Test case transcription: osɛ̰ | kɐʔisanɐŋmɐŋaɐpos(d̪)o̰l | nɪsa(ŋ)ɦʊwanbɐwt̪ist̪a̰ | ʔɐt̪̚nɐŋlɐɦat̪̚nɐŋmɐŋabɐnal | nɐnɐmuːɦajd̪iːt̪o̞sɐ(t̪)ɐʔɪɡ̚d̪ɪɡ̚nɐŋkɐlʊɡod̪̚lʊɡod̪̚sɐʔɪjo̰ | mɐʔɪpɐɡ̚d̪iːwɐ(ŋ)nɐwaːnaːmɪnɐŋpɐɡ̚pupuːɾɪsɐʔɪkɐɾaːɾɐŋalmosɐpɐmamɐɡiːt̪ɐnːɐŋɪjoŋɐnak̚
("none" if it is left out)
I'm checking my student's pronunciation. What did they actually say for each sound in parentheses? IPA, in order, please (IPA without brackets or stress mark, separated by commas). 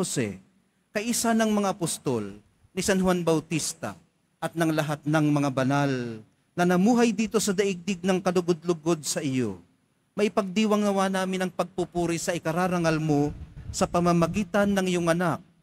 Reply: t̪, n, d̪, ŋ